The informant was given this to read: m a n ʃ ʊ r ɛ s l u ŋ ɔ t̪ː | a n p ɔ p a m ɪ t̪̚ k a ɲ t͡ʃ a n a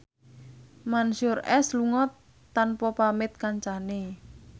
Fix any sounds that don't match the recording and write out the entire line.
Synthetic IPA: m a n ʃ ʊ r ɛ s l u ŋ ɔ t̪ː | a n p ɔ p a m ɪ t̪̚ k a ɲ t͡ʃ a n e